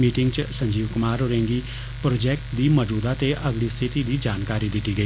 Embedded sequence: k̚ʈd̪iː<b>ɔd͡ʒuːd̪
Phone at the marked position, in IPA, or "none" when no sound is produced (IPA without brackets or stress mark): m